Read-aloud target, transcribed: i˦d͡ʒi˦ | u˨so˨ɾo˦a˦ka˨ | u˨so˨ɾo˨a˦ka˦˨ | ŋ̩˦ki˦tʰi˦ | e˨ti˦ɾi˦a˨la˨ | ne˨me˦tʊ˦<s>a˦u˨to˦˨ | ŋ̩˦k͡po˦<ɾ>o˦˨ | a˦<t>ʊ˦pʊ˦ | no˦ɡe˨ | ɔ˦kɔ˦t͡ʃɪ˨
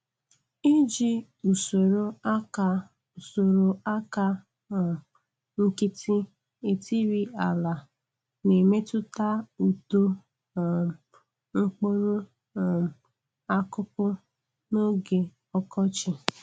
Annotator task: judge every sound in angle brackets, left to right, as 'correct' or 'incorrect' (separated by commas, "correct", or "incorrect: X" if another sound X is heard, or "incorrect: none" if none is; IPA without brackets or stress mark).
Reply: incorrect: t, correct, incorrect: k